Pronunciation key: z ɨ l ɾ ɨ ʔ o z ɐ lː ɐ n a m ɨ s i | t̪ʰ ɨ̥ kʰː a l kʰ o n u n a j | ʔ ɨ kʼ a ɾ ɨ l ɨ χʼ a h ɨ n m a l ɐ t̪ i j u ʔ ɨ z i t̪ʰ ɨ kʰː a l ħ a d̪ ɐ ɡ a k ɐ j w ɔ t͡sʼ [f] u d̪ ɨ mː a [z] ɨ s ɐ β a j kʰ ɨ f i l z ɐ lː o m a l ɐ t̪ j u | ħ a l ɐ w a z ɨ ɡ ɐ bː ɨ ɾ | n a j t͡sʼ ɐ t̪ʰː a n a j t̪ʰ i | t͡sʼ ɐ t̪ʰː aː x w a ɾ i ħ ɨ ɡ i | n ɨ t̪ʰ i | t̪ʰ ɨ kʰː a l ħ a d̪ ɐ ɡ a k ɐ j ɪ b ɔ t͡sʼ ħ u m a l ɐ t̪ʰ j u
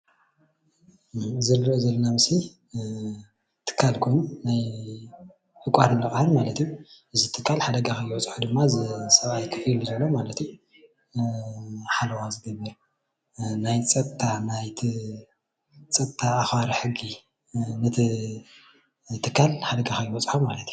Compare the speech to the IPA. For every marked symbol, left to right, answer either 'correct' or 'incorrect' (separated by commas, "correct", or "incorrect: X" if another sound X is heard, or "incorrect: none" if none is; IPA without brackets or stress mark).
incorrect: ħ, correct